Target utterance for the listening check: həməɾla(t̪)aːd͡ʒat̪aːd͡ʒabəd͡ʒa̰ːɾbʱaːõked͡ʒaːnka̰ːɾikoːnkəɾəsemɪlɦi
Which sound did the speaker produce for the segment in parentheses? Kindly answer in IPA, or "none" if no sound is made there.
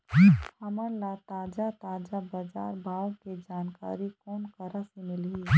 t̪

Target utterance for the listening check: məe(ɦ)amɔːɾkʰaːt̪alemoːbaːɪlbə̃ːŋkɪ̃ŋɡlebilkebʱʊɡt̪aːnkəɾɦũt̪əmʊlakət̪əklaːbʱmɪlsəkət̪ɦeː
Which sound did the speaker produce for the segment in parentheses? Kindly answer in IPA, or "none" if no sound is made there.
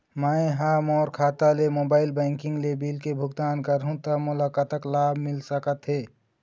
ɦ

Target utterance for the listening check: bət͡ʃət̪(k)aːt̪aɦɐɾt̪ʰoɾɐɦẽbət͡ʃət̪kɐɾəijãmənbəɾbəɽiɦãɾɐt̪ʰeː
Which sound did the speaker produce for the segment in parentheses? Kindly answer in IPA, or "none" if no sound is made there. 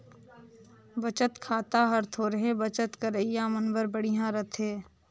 kʰ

